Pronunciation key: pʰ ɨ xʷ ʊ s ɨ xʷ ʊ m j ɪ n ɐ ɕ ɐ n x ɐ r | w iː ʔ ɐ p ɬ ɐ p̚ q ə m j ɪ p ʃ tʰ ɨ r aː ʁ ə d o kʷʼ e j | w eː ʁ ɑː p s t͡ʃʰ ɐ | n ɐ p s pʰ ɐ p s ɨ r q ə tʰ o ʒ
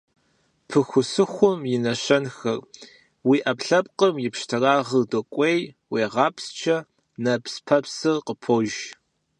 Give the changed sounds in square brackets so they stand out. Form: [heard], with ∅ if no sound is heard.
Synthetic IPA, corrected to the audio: pʰ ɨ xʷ ʊ s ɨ xʷ ʊ m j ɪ n ɐ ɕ ɐ n x ɐ r | w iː ʔ ɐ p ɬ ɐ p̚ q ə m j ɪ p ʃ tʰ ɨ r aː ʁ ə d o kʷʼ e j | w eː ʁ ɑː p s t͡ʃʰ ɐ | n ɐ p s pʰ ɐ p s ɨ r q ə [pʰ] o ʒ